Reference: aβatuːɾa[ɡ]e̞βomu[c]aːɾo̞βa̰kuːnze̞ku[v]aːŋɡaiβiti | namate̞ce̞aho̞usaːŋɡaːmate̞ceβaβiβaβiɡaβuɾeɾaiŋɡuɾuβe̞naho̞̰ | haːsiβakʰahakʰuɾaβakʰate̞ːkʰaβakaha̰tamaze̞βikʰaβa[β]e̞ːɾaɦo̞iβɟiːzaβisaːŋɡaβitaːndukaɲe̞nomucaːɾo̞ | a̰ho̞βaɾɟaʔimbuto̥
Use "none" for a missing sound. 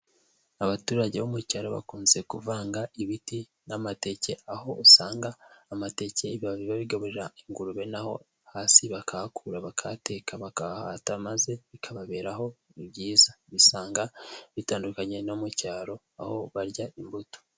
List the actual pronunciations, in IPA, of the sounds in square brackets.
ɟ, c, v, β

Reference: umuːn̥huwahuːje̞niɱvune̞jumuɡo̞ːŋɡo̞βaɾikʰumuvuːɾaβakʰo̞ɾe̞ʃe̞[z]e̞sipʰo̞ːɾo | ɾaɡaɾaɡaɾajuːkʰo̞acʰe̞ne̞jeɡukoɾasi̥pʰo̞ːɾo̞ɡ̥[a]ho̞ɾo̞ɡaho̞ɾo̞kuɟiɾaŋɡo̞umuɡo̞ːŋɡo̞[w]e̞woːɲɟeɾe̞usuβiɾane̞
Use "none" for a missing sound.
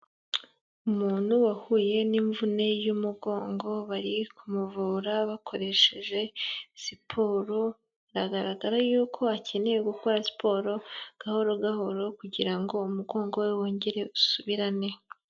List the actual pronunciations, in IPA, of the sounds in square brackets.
ʒ, a, w

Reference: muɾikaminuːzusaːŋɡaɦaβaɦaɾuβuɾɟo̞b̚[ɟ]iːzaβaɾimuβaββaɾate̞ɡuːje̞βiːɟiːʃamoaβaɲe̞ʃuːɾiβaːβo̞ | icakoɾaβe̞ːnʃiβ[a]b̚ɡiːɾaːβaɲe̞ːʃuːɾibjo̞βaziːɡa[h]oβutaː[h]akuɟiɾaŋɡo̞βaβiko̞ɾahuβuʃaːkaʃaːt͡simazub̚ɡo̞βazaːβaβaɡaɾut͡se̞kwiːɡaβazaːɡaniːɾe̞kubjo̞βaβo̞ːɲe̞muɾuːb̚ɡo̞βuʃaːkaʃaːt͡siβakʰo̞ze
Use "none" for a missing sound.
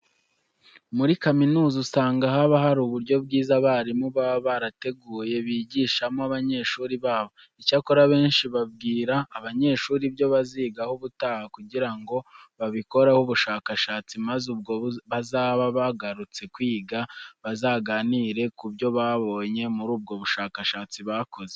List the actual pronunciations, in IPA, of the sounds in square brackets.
ɡ, a, h, h

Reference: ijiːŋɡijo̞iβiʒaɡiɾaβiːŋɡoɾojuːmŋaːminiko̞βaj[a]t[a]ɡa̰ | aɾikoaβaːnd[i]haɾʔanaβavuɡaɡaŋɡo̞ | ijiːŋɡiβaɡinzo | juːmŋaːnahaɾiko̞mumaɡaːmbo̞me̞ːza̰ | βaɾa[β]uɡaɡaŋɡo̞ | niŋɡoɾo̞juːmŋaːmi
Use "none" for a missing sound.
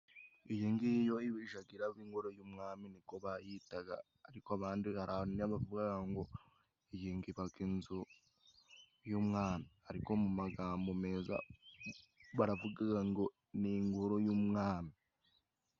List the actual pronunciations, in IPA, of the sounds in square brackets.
i, a, i, v

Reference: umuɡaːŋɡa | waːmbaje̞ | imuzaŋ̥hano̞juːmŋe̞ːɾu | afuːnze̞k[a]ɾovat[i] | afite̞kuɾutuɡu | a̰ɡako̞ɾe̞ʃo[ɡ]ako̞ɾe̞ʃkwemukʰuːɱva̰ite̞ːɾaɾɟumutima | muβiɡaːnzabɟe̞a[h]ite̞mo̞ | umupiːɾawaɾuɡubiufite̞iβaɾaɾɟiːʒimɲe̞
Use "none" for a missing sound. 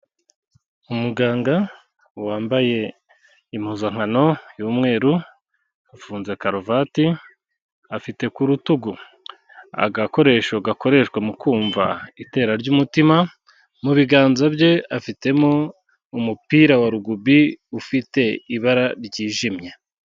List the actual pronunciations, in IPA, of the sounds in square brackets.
a, i, ɡ, f

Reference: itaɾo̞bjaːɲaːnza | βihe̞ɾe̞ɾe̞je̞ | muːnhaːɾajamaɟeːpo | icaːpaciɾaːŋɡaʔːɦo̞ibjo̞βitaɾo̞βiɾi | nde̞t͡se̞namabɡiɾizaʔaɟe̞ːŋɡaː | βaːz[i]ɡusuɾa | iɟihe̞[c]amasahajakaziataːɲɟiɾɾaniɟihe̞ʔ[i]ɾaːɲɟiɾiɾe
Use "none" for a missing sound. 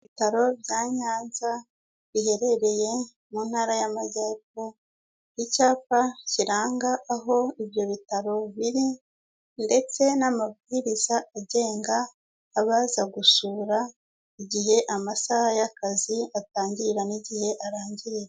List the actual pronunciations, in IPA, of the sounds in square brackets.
a, ʔ, a

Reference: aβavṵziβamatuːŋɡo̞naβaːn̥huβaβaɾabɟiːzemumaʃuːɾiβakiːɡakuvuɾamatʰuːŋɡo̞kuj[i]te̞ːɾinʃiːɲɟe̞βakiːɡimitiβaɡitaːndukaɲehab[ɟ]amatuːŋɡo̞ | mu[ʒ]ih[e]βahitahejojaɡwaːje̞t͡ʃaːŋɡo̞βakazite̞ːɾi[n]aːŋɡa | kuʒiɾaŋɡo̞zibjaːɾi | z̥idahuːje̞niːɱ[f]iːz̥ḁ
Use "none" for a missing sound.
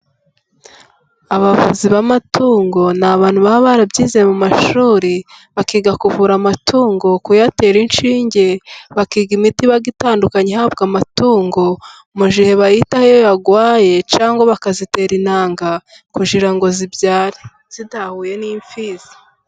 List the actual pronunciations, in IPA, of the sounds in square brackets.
a, ɡ, ʒ, e, n, f

